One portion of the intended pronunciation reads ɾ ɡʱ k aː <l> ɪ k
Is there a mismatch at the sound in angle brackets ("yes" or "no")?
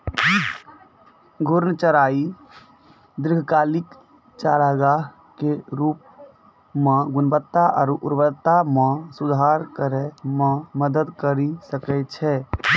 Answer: no